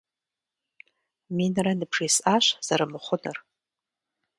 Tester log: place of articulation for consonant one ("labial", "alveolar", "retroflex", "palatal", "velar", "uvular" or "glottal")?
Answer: labial